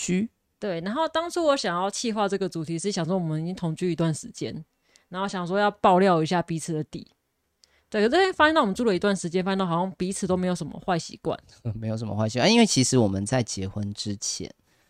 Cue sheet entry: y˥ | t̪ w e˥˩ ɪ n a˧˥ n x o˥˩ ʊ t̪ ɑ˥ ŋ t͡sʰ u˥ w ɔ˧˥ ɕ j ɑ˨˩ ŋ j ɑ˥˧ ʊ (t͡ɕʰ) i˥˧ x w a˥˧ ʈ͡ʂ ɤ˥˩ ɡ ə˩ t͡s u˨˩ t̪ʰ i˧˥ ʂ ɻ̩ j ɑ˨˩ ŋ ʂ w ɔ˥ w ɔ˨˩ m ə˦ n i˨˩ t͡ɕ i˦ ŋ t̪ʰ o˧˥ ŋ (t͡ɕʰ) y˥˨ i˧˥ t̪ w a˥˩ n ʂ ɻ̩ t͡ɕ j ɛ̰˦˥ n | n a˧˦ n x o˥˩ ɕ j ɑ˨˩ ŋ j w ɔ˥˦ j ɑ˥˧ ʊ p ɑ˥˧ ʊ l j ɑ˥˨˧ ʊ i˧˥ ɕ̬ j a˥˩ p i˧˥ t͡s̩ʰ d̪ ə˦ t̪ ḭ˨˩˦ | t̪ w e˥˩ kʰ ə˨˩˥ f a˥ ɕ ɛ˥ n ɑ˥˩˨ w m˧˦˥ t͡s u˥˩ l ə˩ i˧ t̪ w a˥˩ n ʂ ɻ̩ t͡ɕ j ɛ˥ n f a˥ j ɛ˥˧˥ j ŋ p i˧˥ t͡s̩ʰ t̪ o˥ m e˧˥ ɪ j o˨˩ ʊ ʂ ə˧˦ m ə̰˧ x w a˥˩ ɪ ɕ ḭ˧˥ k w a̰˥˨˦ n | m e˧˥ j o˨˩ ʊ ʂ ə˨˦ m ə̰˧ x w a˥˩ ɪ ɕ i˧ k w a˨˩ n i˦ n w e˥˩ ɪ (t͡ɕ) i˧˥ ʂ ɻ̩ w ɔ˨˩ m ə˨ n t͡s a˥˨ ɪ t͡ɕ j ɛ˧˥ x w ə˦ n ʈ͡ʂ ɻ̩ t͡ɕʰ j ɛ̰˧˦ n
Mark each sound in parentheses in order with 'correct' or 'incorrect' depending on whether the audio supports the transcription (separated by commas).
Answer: correct, incorrect, incorrect